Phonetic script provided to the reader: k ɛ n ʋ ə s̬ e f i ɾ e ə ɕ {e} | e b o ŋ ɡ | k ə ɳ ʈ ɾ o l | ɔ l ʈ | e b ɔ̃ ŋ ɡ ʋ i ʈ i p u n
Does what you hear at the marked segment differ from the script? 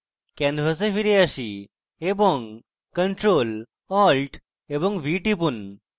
yes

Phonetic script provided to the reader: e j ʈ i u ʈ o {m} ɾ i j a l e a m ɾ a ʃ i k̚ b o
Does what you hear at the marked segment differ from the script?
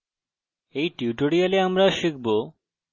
yes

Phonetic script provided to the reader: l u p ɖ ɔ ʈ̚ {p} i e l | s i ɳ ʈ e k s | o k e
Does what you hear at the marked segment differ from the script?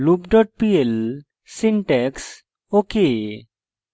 no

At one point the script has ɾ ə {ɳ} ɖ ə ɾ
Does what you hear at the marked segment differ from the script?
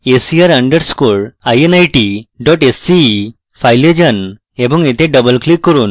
no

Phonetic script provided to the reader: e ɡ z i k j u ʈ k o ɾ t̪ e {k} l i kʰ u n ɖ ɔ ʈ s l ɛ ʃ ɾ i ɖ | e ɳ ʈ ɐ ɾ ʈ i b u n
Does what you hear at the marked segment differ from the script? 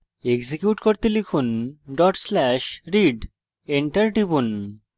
yes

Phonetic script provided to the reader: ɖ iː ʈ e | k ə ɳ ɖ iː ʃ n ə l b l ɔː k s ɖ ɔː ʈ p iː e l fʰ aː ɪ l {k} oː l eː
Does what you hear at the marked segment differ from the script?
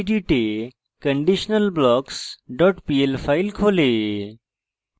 yes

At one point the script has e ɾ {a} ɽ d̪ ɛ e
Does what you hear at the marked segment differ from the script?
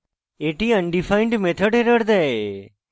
yes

